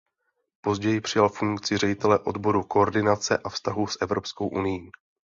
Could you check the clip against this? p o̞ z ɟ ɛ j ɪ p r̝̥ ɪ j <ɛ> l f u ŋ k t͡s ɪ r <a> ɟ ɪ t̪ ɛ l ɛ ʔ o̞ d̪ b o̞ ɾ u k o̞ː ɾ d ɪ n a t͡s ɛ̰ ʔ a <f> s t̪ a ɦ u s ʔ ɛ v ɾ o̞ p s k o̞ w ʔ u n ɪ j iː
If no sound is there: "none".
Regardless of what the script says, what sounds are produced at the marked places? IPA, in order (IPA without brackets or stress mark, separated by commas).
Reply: a, ɛ, f